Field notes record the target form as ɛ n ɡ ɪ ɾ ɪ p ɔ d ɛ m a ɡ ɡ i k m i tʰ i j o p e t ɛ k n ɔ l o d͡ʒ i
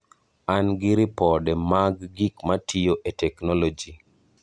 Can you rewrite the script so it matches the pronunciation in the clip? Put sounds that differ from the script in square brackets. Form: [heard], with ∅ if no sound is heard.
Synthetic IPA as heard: [a] n ɡ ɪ ɾ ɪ p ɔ d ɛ m a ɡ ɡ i k m [a] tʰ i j o [ʔ] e t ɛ k n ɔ l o d͡ʒ i